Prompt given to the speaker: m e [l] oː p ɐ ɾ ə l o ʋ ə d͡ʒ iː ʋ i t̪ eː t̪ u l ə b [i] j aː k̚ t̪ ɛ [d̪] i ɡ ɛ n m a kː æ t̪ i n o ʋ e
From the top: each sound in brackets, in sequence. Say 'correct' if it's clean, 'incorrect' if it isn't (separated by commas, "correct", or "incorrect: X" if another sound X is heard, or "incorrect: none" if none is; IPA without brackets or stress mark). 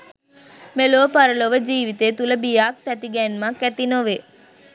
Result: correct, correct, incorrect: t̪